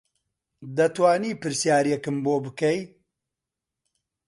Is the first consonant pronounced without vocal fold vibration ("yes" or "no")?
no